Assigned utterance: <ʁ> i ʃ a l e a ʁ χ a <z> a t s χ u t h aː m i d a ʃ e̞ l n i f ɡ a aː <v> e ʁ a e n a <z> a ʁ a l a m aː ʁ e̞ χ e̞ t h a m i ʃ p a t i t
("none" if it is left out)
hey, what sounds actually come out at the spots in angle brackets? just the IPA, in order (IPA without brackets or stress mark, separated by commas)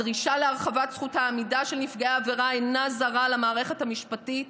ʁ, v, v, z